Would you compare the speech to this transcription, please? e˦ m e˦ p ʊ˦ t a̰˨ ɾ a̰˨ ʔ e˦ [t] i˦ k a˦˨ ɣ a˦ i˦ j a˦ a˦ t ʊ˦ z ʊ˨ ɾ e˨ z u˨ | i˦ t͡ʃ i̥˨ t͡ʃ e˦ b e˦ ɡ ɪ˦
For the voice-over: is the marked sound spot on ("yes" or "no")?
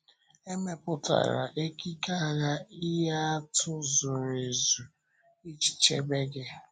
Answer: no